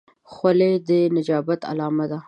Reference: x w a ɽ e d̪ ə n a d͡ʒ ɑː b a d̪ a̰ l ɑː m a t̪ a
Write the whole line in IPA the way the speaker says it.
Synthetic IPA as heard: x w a l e d̪ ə n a d͡ʒ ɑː b a t̪ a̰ l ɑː m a d̪ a